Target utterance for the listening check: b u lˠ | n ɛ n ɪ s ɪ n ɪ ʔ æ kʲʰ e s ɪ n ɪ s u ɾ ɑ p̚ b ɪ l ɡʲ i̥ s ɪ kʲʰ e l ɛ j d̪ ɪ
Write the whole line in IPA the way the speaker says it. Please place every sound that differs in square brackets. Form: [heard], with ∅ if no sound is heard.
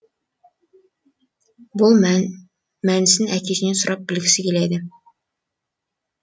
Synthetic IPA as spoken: b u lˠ | [m] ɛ n ɪ s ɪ n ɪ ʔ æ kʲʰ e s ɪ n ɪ s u ɾ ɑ p̚ b ɪ l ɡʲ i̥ s ɪ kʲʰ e l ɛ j d̪ ɪ